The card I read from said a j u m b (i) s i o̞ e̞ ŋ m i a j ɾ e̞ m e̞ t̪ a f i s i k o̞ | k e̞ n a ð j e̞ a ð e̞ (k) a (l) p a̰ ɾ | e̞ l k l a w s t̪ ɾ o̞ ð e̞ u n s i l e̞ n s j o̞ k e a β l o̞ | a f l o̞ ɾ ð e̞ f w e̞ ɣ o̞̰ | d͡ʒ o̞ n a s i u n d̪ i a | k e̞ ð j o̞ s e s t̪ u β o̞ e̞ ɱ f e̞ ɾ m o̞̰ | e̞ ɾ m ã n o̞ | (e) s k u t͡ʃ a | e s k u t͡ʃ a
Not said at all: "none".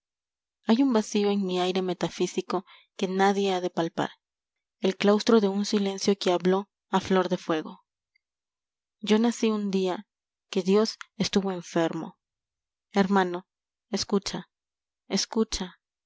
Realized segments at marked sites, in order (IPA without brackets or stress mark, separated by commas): a, p, l, e